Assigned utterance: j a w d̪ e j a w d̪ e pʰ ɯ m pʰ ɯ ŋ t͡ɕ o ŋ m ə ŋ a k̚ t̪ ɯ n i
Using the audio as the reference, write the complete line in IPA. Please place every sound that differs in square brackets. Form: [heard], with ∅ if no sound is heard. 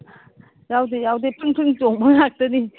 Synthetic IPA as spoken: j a w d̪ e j a w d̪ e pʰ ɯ [ŋ] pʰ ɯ ŋ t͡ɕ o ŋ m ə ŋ a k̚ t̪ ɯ n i

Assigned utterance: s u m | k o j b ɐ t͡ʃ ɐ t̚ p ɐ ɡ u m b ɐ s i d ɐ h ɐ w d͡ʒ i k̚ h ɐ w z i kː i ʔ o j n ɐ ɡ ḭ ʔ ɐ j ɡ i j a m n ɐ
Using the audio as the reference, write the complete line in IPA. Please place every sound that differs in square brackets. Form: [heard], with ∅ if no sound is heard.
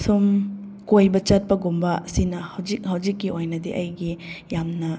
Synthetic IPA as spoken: s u m | k o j b ɐ t͡ʃ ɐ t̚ p ɐ ɡ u m b ɐ s i [n] ɐ h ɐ w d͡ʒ i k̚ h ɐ w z i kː i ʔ o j n ɐ [d] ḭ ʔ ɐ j ɡ i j a m n ɐ

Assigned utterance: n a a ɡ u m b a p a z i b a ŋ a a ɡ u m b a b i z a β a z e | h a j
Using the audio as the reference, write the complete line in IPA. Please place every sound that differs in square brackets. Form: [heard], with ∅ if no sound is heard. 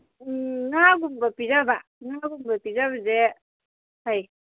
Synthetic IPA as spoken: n a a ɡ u m b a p [i] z [a] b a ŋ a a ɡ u m b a [p] i z a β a z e | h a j

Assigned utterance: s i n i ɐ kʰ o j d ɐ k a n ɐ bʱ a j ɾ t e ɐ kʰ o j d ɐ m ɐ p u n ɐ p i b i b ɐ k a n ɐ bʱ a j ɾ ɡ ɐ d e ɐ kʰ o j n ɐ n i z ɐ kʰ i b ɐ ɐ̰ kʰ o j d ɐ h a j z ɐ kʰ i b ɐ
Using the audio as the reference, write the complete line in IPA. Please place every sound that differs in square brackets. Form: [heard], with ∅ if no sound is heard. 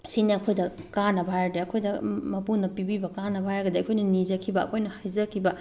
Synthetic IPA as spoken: s i n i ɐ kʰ o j d ɐ k a n ɐ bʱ a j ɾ [d] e ɐ kʰ o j d ɐ m ɐ p u n ɐ p i b i b ɐ k a n ɐ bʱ a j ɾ ɡ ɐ d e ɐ kʰ o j n ɐ n i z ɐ kʰ i b ɐ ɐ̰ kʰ o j [n] ɐ h a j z ɐ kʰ i b ɐ

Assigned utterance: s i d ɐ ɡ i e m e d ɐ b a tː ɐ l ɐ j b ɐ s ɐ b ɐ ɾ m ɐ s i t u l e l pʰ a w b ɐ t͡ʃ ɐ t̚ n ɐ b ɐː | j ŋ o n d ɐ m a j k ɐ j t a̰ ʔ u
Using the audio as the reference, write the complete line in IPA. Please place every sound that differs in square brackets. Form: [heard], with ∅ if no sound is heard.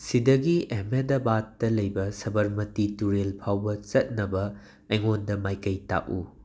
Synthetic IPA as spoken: s i d ɐ ɡ i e m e d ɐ b a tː ɐ l ɐ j b ɐ s ɐ b ɐ ɾ m ɐ [t] i t u [ɾ] e l pʰ a w b ɐ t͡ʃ ɐ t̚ n ɐ b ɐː | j ŋ o n d ɐ m a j k ɐ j t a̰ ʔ u

